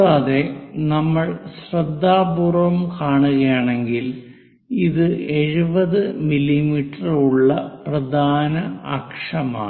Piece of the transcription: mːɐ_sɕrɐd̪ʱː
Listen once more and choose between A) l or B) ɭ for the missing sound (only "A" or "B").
B